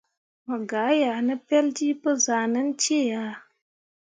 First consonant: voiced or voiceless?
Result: voiced